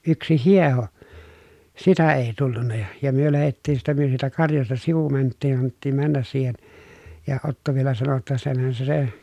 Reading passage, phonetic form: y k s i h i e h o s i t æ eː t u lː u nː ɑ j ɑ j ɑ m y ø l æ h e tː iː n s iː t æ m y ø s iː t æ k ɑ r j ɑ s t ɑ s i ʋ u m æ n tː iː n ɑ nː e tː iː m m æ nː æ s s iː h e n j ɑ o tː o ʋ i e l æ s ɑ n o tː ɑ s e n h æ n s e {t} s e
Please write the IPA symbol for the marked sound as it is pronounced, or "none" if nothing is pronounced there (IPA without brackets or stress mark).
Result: none